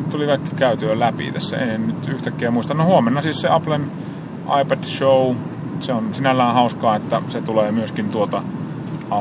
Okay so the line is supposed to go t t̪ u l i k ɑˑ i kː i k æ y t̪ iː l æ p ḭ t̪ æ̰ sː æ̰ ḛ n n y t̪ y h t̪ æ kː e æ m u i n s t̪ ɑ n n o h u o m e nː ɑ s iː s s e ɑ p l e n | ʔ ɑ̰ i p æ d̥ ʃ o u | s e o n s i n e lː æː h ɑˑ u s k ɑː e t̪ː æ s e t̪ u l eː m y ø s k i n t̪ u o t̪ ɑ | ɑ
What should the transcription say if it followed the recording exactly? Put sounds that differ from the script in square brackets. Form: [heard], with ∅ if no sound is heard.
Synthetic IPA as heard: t t̪ u l i k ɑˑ i kː i k æ y t̪ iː l æ p ḭ t̪ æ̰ sː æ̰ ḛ n n y t̪ y h t̪ æ kː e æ m u i [∅] s t̪ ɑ n n o h u o m e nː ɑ s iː s s e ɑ p l e n | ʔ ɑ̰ i p æ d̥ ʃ o u | s e o n s i n [æ] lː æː h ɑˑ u s k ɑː e t̪ː æ s e t̪ u l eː m y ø s k i n t̪ u o t̪ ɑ | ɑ